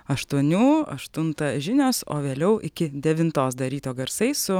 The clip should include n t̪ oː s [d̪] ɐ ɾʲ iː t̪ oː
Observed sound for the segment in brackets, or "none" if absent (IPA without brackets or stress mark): d̪